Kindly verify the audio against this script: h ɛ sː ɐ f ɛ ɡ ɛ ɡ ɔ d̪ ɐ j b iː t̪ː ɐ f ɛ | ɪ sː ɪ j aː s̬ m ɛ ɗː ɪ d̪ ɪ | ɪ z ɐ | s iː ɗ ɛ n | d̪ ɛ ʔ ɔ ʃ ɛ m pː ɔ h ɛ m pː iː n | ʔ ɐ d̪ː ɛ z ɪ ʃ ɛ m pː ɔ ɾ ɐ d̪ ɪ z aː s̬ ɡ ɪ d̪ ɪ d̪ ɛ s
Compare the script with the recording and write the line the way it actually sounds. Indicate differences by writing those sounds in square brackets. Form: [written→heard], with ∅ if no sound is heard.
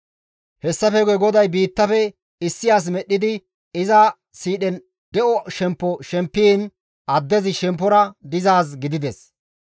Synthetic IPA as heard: h ɛ sː ɐ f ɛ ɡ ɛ ɡ ɔ d̪ ɐ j b iː t̪ː ɐ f ɛ | ɪ sː ɪ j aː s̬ m ɛ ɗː ɪ d̪ ɪ | ɪ z ɐ | s iː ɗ ɛ n | d̪ ɛ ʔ ɔ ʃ ɛ m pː ɔ [h→ʃ] ɛ m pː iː n | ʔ ɐ d̪ː ɛ z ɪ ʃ ɛ m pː ɔ ɾ ɐ d̪ ɪ z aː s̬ ɡ ɪ d̪ ɪ d̪ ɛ s